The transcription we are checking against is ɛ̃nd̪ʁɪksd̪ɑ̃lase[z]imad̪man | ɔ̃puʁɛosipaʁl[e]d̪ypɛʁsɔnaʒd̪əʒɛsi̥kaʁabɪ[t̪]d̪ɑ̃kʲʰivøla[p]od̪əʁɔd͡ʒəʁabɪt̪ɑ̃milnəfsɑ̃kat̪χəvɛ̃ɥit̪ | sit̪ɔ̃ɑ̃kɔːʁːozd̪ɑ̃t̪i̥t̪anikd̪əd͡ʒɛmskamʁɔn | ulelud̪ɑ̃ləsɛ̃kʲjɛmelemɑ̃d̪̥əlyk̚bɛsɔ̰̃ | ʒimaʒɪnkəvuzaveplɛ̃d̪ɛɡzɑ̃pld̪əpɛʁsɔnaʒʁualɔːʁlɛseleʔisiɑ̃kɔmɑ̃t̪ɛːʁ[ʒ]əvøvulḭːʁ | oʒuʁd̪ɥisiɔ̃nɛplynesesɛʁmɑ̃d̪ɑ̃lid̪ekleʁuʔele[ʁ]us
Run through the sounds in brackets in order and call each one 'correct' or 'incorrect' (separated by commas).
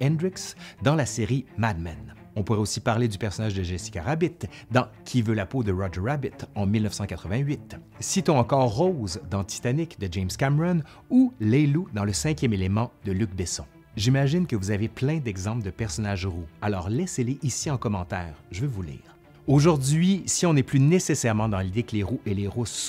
incorrect, correct, correct, correct, correct, correct